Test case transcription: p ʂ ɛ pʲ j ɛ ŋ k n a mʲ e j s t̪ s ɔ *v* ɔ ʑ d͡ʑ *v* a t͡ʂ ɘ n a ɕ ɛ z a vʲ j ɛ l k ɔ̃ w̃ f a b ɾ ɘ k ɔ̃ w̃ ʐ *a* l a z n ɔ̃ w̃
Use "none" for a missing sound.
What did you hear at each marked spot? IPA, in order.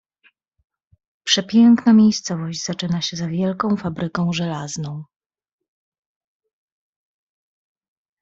v, z, ɛ

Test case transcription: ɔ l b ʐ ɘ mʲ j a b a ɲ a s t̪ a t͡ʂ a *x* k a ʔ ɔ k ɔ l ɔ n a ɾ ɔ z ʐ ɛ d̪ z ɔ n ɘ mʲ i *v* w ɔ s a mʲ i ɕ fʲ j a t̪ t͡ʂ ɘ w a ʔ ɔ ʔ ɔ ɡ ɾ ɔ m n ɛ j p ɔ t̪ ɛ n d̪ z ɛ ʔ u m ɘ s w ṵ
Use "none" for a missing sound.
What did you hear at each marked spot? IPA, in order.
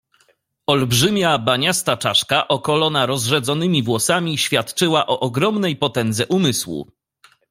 ʂ, v

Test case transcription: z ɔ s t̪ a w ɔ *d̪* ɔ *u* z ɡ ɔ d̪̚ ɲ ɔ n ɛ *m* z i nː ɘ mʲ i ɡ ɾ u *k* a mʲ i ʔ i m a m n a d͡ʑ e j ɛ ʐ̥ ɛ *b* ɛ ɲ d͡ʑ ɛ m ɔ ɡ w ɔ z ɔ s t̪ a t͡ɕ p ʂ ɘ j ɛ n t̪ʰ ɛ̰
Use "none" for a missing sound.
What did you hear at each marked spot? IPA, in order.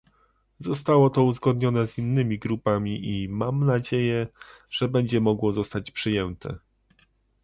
t̪, u, none, p, b

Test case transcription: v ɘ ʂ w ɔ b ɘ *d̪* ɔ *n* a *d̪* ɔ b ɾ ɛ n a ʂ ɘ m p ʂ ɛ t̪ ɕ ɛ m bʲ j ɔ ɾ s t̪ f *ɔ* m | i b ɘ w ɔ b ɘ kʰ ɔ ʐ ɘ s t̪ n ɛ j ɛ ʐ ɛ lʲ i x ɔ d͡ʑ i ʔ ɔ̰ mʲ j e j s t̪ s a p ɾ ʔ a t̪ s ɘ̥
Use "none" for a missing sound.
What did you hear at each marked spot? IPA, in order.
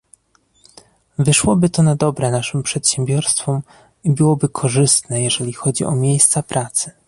t̪, n, d̪, ɔ

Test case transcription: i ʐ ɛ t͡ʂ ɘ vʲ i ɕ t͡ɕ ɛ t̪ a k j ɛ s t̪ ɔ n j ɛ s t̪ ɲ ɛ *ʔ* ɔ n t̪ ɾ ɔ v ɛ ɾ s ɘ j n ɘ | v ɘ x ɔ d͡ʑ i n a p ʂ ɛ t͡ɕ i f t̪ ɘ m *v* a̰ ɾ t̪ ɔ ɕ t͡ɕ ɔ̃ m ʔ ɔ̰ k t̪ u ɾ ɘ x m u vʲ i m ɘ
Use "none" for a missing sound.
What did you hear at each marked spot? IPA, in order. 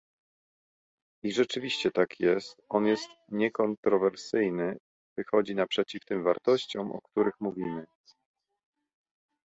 k, v

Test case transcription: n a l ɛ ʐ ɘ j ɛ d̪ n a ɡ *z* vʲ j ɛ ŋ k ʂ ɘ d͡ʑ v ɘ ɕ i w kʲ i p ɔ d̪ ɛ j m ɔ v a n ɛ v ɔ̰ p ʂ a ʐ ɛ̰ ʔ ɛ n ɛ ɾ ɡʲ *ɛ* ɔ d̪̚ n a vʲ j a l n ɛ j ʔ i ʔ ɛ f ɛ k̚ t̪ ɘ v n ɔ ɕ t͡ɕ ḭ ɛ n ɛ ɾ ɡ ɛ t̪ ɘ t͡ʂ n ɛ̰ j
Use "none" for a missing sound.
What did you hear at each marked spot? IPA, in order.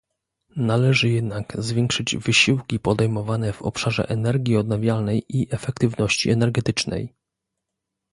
z, i

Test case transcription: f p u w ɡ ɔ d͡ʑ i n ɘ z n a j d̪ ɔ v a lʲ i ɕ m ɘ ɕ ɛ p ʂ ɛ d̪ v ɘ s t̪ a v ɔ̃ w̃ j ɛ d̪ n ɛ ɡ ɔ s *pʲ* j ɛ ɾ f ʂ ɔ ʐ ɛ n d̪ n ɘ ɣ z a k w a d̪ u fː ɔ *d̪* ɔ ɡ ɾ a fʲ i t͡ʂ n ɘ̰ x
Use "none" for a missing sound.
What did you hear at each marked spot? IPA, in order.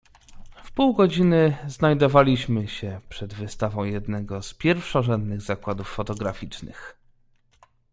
pʲ, t̪

